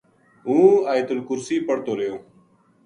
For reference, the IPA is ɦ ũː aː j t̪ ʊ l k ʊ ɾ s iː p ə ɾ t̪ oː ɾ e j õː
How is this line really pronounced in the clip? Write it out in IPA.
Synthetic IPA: ɦ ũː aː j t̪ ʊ l k ʊ ɾ s iː p ə ɽ t̪ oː ɾ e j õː